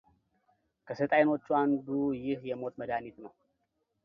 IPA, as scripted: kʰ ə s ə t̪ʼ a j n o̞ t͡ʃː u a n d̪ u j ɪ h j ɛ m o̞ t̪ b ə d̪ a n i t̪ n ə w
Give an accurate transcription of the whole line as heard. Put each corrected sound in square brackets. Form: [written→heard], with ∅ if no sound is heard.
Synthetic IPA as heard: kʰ ə s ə t̪ʼ a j n o̞ t͡ʃː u a n d̪ u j ɪ h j ɛ m o̞ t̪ [b→m] ə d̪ a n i t̪ n ə w